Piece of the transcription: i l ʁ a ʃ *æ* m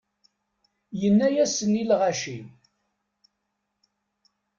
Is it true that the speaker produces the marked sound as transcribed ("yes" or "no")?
no